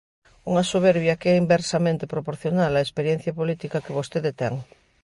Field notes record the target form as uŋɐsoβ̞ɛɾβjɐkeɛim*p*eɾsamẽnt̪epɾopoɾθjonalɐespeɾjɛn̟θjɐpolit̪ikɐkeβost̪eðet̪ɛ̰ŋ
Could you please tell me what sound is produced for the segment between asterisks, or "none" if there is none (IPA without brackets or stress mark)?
b